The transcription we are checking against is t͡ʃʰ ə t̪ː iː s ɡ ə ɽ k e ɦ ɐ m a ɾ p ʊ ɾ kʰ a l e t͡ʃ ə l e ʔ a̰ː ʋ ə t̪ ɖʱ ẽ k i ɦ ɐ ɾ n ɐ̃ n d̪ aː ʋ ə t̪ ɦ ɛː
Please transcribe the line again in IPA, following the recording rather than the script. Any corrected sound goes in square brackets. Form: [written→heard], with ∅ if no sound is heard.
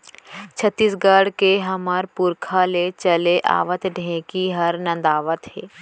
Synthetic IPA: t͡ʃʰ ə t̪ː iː s ɡ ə ɽ k e ɦ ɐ m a ɾ p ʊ ɾ kʰ a l e t͡ʃ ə l e ʔ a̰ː ʋ ə t̪ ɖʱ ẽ k i ɦ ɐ ɾ n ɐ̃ n d̪ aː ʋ ə t̪ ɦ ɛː